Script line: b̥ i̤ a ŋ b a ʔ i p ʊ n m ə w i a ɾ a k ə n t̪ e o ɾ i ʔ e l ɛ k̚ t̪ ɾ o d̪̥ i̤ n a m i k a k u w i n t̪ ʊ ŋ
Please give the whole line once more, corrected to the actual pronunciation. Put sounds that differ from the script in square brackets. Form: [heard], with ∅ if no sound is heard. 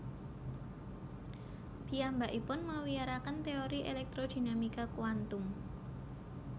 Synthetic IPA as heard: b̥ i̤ a [m] b a ʔ i p ʊ n m ə w i a ɾ a k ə n t̪ e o ɾ i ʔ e l ɛ k̚ t̪ ɾ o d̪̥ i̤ n a m i k a k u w [a] n t̪ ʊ [m]

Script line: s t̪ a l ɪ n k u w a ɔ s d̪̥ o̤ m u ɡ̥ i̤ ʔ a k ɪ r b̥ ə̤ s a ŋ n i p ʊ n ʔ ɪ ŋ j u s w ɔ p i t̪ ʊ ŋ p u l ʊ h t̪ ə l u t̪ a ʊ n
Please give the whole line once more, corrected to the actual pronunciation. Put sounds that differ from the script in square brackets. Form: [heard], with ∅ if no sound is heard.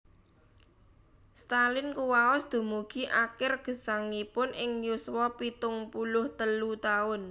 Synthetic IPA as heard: s t̪ a l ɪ n k u w a ɔ s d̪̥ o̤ m u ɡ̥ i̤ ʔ a k ɪ r [ɡ̥] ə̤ s a ŋ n i p ʊ n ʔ ɪ ŋ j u s w ɔ p i t̪ ʊ ŋ p u l ʊ h t̪ ə l u t̪ a ʊ n

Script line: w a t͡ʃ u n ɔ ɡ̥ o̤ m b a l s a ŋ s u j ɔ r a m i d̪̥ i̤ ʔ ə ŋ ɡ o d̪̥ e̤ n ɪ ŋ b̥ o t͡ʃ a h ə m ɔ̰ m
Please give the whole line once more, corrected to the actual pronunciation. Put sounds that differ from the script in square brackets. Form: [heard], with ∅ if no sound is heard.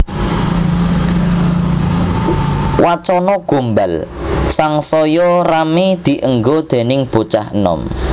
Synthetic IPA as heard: w a t͡ʃ [ɔ] n ɔ ɡ̥ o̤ m b a l s a ŋ s [ɔ] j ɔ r a m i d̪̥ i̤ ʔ ə ŋ ɡ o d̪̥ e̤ n ɪ ŋ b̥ o t͡ʃ a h ə [n] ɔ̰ m

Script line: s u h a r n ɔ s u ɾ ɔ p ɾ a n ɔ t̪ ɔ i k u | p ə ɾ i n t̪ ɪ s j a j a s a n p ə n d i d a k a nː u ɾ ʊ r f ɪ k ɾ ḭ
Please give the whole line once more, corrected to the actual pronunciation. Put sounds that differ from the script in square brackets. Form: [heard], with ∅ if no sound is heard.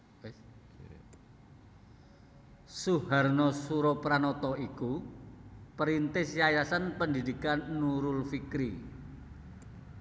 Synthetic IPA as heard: s u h a r n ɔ s u ɾ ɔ p ɾ a n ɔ t̪ ɔ i k u | p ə ɾ i n t̪ ɪ s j a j a s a n p ə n d i d [i] k a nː u ɾ ʊ [l] f [i] k ɾ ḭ

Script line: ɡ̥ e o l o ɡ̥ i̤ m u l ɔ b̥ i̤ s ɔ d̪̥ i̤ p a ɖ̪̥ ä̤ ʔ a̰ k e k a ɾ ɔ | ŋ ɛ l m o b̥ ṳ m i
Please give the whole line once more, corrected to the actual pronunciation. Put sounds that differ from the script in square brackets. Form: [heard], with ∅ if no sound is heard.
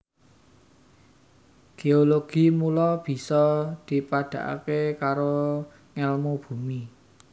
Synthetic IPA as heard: ɡ̥ e o l o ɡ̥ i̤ m u l ɔ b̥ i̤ s ɔ d̪̥ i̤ p a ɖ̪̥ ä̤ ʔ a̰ k e k a ɾ [o] | ŋ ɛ l m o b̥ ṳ m i

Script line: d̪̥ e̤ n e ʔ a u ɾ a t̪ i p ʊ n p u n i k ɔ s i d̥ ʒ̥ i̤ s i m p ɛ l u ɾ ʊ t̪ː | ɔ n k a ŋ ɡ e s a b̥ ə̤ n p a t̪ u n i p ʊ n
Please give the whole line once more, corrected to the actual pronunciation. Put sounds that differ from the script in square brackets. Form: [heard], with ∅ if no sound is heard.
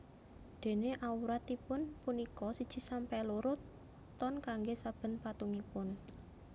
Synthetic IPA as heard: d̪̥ e̤ n e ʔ a u ɾ a t̪ i p ʊ n p u n i k ɔ s i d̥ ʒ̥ i̤ s [a] m p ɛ l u ɾ ʊ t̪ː | ɔ n k a ŋ ɡ e s a b̥ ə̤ n p a t̪ u [ŋ] i p ʊ n

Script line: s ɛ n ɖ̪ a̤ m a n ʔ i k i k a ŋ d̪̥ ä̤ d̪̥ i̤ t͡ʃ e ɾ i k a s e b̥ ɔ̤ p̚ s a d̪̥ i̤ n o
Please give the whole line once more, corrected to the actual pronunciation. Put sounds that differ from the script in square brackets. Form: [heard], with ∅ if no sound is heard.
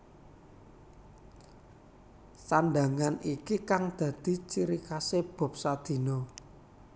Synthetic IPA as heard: s [a] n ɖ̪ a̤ [ŋ] a n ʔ i k i k a ŋ d̪̥ ä̤ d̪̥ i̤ t͡ʃ [i] ɾ i k a s e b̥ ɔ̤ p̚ s a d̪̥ i̤ n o

